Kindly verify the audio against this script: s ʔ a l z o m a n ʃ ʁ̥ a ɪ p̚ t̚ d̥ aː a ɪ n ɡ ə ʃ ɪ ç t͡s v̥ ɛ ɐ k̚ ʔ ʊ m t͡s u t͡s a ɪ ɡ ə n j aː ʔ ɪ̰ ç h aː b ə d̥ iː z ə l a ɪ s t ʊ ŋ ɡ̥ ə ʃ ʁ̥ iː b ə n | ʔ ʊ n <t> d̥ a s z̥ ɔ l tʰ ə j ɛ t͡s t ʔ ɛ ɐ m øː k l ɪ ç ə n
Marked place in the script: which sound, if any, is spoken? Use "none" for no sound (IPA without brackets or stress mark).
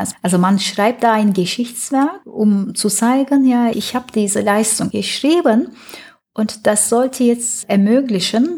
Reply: t